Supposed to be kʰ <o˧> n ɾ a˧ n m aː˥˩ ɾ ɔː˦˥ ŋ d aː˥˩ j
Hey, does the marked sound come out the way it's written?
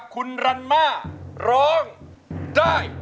no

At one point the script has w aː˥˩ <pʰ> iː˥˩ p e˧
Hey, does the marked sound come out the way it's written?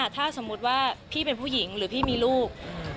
yes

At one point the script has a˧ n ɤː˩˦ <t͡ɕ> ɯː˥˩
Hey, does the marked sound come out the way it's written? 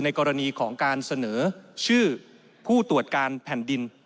no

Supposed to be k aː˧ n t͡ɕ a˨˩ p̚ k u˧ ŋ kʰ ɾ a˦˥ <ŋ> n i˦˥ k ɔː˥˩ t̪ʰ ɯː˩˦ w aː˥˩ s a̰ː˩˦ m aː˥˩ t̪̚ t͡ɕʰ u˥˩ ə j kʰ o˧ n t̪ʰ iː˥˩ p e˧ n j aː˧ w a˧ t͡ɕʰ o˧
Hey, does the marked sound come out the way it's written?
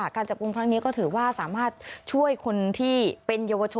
yes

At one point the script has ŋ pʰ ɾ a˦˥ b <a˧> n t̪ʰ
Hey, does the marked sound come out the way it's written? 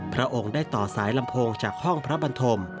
yes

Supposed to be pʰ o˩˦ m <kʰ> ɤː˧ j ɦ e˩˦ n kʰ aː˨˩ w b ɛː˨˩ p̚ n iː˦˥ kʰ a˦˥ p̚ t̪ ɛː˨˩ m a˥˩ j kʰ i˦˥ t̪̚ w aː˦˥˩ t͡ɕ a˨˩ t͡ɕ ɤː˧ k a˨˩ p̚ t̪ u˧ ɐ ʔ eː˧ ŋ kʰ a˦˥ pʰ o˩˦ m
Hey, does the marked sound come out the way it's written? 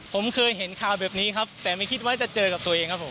yes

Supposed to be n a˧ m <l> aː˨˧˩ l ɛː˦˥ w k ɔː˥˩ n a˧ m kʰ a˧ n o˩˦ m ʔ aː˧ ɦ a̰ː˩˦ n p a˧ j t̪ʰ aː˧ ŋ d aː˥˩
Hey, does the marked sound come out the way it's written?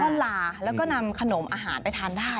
yes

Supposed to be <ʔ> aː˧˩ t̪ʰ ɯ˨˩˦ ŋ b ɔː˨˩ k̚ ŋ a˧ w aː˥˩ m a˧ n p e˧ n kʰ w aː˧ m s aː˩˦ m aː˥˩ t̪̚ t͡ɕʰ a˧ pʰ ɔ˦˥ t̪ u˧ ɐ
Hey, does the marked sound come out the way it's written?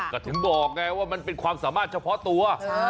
no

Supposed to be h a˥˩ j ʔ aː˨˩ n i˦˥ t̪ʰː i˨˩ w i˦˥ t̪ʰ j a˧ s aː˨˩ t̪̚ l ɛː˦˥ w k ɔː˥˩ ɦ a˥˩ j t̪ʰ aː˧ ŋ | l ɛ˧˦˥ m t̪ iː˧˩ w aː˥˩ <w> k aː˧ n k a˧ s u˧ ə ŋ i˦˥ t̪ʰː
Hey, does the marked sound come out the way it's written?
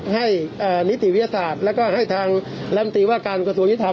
no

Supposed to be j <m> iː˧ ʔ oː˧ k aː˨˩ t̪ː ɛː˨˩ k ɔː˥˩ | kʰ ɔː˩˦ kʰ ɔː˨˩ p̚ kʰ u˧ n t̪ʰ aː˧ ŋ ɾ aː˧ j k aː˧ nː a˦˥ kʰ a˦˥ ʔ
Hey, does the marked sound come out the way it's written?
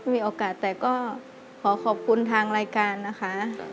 yes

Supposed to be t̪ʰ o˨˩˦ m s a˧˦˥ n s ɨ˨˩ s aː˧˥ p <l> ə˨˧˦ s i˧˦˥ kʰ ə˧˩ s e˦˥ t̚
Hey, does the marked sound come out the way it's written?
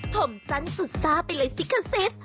yes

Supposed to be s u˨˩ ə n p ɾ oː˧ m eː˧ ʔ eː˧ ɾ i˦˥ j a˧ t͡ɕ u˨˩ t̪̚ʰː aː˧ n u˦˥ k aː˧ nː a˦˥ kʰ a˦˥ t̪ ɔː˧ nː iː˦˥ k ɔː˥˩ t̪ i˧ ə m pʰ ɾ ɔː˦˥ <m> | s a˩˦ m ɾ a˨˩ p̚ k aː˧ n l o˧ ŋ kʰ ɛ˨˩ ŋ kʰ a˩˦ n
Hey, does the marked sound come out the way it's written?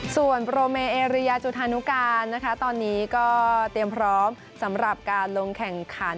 yes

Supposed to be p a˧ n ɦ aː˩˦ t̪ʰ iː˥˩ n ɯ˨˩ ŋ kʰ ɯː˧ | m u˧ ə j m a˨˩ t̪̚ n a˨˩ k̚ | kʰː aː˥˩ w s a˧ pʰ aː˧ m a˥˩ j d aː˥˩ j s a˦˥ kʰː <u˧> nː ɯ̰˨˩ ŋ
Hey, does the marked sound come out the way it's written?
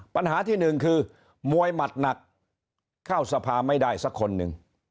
no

